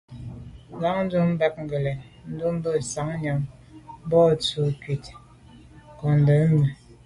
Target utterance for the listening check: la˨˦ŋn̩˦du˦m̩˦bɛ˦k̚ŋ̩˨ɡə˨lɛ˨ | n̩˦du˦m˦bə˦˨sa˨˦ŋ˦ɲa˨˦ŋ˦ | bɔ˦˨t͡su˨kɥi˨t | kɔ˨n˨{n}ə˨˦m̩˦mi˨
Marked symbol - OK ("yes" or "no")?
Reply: no